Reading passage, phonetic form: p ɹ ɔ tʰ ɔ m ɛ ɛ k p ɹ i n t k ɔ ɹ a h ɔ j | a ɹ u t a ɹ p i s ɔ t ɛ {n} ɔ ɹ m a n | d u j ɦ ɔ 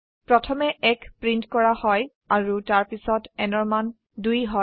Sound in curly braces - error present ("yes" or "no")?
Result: no